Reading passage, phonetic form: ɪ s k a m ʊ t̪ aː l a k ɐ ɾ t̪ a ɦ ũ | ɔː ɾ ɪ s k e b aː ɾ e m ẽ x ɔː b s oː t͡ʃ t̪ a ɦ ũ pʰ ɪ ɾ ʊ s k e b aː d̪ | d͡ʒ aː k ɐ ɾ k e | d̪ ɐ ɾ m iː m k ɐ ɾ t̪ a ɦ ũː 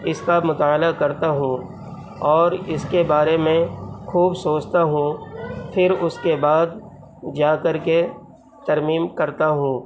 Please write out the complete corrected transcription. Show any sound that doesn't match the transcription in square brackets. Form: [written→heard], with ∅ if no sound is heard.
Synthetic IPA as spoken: ɪ s k a m ʊ t̪ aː l a k ɐ ɾ t̪ a ɦ ũ | ɔː ɾ ɪ s k e b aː ɾ e m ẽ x [ɔː→uː] b s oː t͡ʃ t̪ a ɦ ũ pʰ ɪ ɾ ʊ s k e b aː d̪ | d͡ʒ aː k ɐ ɾ k e | [d̪→t̪] ɐ ɾ m iː m k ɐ ɾ t̪ a ɦ ũː